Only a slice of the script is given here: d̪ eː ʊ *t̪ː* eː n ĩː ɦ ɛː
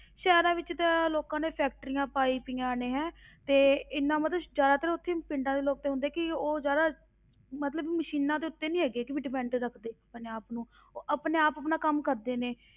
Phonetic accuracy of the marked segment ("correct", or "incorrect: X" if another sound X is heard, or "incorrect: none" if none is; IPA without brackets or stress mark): correct